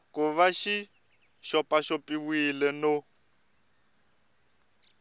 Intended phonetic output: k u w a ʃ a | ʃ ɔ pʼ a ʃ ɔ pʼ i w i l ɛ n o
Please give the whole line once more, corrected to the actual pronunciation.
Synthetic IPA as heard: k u β a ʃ i | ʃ ɔ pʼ a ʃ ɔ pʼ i w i l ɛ n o